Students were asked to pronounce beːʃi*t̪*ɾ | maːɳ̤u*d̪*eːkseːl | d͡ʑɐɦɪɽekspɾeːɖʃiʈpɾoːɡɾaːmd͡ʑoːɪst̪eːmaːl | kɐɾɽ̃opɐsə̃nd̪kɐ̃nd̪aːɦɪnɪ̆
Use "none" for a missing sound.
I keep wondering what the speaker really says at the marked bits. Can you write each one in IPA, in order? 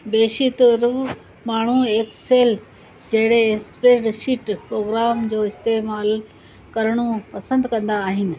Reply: t̪, none

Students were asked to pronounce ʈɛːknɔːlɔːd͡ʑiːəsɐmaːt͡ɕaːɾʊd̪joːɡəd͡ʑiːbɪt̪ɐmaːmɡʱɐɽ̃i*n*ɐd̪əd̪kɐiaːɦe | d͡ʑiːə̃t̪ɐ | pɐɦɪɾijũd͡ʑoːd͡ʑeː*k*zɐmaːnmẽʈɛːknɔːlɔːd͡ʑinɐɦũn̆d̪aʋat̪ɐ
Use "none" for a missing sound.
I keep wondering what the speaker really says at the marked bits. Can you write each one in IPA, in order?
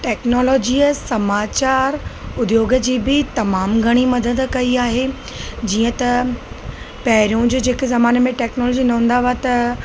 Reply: m, k

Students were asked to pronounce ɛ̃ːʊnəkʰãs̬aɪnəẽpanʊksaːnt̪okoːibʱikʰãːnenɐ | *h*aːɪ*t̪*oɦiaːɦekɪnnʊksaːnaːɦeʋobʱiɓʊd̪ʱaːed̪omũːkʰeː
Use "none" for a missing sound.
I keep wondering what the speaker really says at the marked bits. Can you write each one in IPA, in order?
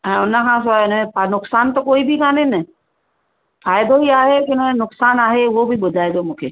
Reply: f, d̪

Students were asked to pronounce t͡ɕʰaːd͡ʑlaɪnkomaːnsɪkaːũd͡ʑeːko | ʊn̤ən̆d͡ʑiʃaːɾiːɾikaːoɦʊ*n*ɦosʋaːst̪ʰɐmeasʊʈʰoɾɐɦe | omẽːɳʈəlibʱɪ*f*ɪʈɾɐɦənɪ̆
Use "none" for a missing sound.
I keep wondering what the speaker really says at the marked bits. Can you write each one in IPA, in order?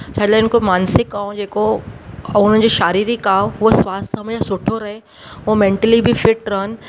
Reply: none, f

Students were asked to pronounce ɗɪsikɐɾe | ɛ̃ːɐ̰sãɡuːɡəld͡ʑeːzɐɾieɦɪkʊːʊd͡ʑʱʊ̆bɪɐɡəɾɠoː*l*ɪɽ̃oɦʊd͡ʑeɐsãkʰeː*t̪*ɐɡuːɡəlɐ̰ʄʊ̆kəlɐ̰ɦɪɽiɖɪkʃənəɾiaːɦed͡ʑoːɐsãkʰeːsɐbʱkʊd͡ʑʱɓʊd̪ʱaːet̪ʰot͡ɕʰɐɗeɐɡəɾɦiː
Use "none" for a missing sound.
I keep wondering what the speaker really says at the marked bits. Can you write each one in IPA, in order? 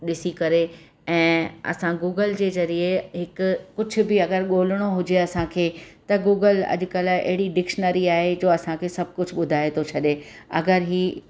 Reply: l, t̪

